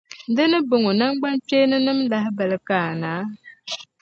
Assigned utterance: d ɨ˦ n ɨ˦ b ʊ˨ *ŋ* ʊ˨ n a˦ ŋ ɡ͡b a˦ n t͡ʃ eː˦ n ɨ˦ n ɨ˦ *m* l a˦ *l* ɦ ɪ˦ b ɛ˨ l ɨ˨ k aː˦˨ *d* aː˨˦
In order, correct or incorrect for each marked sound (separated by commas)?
correct, correct, incorrect, incorrect